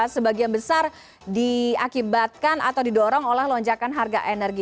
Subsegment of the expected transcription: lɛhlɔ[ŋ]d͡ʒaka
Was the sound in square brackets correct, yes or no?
no